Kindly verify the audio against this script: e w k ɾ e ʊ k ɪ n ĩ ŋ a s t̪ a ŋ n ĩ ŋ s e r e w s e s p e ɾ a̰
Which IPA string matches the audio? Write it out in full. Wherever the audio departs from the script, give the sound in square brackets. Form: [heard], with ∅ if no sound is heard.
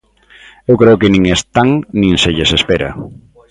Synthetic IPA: e w k ɾ e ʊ k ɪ n ĩ ŋ [e] s t̪ a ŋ n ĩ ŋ s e [ʎ] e [∅] s e s p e ɾ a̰